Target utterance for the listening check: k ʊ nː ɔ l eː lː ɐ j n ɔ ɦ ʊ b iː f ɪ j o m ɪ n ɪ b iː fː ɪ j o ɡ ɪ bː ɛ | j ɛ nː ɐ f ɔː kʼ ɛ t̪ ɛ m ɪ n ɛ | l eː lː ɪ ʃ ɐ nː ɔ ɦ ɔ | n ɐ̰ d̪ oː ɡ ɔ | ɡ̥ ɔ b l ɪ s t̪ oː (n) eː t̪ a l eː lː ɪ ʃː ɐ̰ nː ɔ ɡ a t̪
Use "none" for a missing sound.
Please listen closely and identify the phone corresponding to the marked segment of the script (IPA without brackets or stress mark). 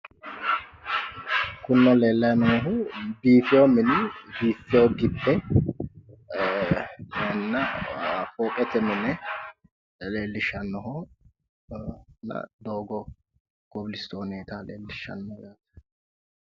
n